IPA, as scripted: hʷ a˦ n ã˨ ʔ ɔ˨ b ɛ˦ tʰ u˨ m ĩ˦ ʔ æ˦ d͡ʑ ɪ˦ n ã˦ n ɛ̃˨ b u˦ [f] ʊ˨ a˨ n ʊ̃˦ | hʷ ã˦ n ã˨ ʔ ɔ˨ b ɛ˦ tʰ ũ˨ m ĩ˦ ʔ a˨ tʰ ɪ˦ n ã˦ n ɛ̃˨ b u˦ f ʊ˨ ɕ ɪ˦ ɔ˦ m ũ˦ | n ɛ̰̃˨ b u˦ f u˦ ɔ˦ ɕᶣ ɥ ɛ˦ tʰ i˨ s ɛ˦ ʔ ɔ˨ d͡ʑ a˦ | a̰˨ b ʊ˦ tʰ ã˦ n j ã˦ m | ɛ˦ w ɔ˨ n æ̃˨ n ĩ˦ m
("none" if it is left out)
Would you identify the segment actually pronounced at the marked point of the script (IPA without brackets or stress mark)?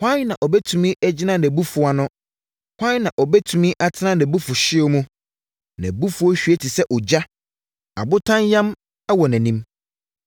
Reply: f